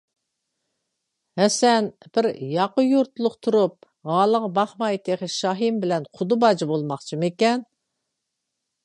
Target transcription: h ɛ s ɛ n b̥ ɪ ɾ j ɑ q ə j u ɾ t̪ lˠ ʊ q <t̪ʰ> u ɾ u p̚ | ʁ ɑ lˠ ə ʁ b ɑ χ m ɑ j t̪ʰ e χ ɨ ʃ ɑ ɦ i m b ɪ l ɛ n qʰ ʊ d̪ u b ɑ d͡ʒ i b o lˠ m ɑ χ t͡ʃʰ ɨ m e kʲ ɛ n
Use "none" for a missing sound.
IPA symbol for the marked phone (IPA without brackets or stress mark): t̪ʰ